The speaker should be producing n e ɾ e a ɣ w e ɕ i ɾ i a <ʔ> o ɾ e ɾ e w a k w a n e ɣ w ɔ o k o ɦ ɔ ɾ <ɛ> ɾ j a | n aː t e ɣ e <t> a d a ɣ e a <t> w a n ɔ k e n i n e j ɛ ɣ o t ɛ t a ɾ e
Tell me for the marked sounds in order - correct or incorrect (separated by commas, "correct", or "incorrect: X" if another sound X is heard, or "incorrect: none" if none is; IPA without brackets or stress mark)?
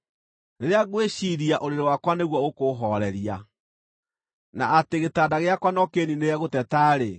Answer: correct, correct, correct, incorrect: k